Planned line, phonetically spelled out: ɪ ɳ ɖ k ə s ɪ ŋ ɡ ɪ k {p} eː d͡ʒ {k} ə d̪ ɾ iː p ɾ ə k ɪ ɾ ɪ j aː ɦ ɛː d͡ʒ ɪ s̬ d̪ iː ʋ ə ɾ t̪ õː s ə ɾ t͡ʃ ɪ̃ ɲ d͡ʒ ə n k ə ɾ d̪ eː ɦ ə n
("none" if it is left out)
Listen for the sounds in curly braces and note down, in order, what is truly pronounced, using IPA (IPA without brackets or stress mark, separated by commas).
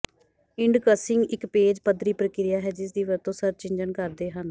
p, p